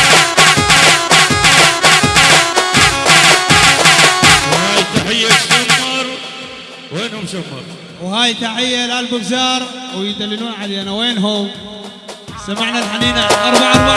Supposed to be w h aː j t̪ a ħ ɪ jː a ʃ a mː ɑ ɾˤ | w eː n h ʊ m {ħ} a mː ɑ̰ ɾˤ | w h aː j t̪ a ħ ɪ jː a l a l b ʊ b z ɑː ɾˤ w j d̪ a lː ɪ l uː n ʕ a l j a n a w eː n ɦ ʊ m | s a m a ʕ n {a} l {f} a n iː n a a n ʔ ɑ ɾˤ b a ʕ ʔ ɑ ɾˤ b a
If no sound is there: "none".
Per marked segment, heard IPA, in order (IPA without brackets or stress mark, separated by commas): ʃ, a, ħ